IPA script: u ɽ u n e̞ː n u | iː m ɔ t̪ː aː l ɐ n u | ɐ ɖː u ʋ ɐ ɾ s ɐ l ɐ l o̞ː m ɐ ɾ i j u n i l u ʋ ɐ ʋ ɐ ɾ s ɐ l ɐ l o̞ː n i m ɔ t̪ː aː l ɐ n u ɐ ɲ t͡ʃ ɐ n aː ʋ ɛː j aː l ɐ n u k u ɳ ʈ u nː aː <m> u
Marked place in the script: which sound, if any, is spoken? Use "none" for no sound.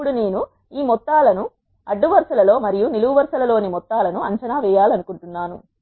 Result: n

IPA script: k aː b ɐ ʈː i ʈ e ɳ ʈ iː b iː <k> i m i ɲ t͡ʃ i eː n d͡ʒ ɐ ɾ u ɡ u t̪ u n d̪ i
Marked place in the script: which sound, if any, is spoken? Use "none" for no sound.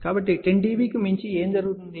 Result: k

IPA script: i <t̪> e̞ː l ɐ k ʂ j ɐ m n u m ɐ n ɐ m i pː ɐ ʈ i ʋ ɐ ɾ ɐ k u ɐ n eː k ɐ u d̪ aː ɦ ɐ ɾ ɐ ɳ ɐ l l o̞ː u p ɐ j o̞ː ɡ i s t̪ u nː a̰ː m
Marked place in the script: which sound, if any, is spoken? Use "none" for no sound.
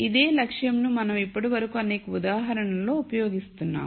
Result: d̪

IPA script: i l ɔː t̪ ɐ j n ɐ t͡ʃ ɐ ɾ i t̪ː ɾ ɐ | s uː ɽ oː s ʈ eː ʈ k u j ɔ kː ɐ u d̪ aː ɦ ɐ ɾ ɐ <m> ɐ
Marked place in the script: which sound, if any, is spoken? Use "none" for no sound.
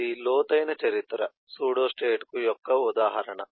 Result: ɳ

